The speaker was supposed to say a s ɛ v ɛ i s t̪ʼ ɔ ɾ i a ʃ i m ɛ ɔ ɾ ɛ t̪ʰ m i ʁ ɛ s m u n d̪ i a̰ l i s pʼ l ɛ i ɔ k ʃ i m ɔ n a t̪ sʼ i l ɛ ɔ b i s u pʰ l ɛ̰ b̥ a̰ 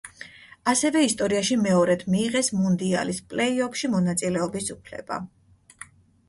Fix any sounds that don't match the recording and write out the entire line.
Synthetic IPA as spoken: a s ɛ v ɛ i s t̪ʼ ɔ ɾ i a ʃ i m ɛ ɔ ɾ ɛ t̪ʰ m iː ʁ ɛ s m u n d̪ i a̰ l i s pʼ l ɛ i ɔ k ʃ i m ɔ n a t̪ sʼ i l ɛ ɔ b i s u pʰ l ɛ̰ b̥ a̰